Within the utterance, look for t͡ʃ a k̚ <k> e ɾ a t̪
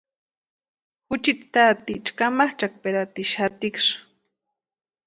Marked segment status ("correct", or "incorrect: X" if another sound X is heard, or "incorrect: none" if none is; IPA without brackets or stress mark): incorrect: p